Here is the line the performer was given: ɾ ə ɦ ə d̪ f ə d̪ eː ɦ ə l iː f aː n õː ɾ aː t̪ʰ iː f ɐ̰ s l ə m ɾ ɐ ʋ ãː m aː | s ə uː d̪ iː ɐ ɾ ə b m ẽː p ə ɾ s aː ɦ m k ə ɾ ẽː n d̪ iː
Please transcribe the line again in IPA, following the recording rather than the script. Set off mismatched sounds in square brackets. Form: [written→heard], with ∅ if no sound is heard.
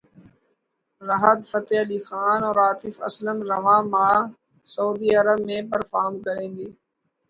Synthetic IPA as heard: ɾ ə ɦ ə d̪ f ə [d̪→t̪] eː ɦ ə l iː [f→x] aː n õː ɾ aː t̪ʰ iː f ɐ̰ s l ə m ɾ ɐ ʋ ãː m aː | s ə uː d̪ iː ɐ ɾ ə b m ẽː p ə ɾ [s→f] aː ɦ m k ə ɾ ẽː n d̪ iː